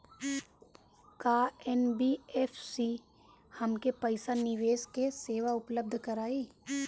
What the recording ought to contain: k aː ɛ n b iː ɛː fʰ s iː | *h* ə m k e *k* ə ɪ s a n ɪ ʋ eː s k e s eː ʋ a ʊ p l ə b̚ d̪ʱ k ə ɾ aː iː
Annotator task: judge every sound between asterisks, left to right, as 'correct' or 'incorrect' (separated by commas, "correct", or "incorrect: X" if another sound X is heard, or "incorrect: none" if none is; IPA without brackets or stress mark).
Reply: correct, incorrect: p